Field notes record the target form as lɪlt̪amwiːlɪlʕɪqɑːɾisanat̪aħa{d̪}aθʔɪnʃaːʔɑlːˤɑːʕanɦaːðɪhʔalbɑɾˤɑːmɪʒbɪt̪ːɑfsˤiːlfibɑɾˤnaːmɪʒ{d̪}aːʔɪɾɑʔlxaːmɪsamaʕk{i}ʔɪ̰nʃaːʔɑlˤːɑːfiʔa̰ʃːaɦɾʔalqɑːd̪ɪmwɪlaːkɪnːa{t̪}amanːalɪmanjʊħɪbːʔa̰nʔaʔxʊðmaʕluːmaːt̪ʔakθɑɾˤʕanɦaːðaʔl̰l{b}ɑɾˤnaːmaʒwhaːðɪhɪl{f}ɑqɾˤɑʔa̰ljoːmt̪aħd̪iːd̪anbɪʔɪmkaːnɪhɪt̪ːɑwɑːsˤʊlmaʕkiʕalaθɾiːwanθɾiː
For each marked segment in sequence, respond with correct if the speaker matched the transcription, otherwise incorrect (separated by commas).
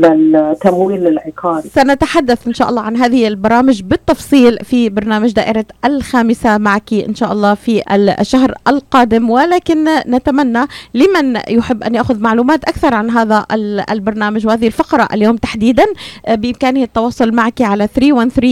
incorrect, correct, correct, correct, correct, correct